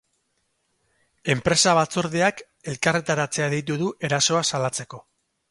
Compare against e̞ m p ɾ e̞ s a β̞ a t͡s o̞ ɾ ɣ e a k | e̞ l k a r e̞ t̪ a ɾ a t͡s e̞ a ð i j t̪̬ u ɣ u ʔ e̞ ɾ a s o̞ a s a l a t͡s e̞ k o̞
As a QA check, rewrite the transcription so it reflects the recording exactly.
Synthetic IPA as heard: e̞ m p ɾ e̞ s a β̞ a t͡s o̞ ɾ ð e a k | e̞ l k a r e̞ t̪ a ɾ a t͡s e̞ a ð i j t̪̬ u ð u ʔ e̞ ɾ a s o̞ a s a l a t͡s e̞ k o̞